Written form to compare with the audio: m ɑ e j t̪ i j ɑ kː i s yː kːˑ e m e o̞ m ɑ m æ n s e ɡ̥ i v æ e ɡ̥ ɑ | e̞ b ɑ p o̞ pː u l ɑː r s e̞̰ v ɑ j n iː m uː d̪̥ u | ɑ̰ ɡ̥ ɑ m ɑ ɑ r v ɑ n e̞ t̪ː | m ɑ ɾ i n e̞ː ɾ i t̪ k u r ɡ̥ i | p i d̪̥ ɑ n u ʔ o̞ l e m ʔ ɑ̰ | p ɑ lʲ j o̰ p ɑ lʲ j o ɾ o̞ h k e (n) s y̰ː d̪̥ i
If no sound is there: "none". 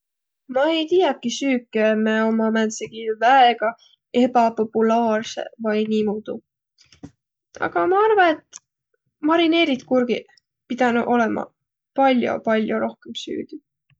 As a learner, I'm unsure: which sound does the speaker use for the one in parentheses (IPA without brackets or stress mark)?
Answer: m